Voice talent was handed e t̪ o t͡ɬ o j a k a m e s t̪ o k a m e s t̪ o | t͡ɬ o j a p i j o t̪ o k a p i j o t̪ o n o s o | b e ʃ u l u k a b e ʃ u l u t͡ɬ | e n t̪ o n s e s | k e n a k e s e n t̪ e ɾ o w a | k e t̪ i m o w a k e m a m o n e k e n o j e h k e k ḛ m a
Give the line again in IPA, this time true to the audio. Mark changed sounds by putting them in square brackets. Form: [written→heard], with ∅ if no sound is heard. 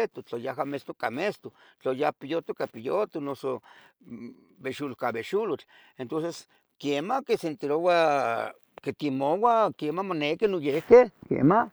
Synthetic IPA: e t̪ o t͡ɬ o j a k a m e s t̪ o k a m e s t̪ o | t͡ɬ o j a p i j o t̪ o k a p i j o t̪ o n o s o | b e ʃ u l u k a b e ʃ u l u t͡ɬ | e n t̪ o n s e s | k e [n→m] a k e s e n t̪ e ɾ o w a | k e t̪ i m o w a k e m a m o n e k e n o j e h k e k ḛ m a